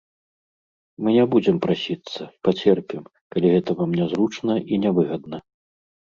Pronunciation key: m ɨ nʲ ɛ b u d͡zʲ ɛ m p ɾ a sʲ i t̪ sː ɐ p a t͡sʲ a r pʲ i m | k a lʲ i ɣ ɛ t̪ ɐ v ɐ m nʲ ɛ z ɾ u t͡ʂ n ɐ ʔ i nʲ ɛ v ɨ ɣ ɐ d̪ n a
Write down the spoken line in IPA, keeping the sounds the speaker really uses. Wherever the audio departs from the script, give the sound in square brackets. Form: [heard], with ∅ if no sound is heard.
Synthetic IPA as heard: m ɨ nʲ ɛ b u d͡zʲ ɛ m p ɾ a sʲ i t̪ sː ɐ p a t͡sʲ [ɛ] r pʲ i m | k a lʲ i ɣ ɛ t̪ ɐ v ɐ m nʲ ɛ z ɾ u t͡ʂ n ɐ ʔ i nʲ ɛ v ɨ ɣ ɐ d̪ n [ɐ]